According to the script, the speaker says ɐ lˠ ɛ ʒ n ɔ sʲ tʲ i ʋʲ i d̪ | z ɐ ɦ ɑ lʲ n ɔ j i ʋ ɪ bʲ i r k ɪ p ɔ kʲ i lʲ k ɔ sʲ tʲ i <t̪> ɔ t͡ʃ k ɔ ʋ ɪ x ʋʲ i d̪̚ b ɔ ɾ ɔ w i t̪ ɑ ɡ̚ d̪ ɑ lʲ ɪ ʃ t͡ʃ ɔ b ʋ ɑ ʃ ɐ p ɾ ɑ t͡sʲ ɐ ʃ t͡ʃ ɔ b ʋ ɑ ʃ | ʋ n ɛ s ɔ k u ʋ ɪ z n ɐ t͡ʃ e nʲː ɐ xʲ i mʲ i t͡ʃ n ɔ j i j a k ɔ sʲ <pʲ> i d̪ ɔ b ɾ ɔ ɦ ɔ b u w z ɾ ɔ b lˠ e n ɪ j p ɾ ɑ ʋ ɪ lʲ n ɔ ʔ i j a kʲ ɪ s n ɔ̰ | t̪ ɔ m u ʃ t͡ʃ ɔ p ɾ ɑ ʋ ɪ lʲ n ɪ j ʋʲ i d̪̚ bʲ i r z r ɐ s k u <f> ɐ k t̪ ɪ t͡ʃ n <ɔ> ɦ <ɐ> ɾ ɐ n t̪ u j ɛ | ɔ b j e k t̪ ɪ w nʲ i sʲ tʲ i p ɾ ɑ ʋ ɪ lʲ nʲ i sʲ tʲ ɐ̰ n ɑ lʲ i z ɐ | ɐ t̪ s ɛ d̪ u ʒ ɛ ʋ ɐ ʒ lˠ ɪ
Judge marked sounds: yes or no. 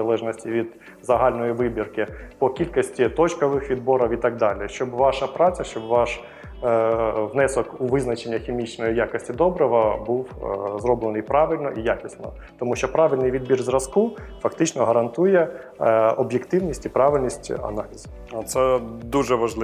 yes, no, yes, yes, yes

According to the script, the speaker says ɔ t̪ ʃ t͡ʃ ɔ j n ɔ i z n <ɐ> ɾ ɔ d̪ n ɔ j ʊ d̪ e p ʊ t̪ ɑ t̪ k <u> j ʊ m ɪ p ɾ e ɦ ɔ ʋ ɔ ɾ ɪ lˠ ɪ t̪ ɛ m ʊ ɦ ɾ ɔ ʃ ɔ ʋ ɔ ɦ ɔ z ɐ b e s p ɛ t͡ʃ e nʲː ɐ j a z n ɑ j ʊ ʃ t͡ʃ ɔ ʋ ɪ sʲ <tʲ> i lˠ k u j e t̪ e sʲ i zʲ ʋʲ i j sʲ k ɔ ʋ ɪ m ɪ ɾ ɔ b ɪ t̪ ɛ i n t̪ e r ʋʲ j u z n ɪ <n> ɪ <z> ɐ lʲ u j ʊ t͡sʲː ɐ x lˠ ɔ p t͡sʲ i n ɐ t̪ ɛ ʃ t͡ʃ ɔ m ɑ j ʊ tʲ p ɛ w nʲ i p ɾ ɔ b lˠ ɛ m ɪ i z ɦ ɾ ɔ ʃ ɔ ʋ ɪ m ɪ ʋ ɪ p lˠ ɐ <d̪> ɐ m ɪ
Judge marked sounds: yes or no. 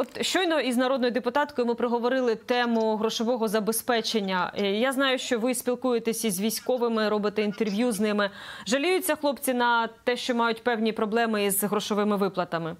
yes, no, no, no, no, no

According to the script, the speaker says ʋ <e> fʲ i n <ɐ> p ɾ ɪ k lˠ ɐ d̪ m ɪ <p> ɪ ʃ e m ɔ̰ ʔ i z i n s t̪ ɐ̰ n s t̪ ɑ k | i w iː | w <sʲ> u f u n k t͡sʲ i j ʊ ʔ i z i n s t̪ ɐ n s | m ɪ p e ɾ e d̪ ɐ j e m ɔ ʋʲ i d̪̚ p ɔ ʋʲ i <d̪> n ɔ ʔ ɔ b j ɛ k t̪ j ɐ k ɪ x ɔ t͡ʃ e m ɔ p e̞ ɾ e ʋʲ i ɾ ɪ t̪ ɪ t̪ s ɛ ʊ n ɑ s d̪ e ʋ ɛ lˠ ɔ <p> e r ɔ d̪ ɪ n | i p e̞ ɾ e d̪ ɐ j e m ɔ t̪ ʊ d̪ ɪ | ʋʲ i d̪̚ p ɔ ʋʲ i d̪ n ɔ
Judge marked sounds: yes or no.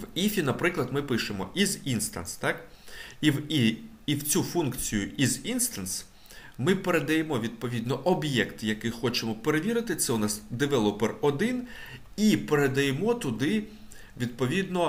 no, yes, yes, no, yes, yes

